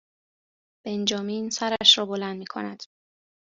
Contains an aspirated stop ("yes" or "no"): yes